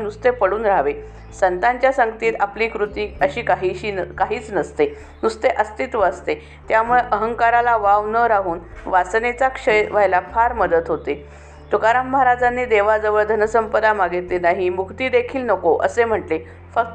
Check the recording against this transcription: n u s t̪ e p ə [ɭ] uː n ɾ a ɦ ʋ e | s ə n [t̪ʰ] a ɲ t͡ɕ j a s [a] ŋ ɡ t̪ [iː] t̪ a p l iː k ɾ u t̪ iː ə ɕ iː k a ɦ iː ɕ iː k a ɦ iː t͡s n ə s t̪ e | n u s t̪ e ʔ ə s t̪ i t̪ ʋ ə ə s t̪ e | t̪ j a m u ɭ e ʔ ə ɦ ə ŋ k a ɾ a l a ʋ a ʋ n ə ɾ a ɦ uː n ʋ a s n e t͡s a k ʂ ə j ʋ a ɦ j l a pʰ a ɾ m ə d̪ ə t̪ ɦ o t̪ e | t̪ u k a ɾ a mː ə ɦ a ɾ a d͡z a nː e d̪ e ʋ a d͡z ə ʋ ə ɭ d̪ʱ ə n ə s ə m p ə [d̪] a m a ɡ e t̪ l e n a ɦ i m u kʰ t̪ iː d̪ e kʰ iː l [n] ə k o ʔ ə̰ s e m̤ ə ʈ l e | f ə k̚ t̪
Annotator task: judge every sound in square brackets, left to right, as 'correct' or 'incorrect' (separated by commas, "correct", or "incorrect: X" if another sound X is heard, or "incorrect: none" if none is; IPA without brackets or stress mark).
incorrect: ɽ, incorrect: t̪, incorrect: ə, correct, correct, correct